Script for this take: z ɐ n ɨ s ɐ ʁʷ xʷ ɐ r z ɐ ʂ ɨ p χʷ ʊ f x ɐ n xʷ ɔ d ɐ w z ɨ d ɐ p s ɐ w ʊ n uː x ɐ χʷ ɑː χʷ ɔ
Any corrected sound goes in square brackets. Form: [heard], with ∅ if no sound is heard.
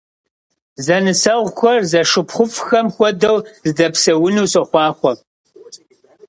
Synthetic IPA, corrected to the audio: z ɐ n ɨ s ɐ ʁʷ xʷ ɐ r z ɐ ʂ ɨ p χʷ ʊ f x ɐ [m] xʷ ɔ d ɐ w z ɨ d ɐ p s ɐ w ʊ n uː [s] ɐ χʷ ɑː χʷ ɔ